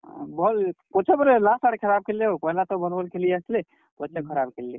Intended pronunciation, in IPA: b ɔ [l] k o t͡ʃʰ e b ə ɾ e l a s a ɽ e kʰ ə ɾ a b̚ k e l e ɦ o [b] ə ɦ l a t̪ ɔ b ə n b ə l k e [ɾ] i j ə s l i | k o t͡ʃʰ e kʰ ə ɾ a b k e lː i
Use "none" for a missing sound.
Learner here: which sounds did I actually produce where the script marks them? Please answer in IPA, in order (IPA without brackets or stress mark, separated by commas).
l, p, l